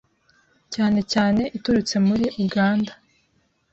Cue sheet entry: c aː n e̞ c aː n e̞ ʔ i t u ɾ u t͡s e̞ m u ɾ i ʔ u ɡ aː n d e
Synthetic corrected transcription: c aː n e̞ c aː n e̞ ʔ i t u ɾ u t͡s e̞ m u ɾ i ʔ u ɡ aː n d a